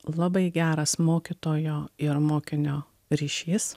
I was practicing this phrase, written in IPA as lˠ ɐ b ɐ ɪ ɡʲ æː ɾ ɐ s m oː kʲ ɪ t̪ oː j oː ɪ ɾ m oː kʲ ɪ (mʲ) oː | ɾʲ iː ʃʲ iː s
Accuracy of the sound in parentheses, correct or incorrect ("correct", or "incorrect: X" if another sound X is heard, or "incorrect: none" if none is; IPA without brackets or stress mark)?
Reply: incorrect: nʲ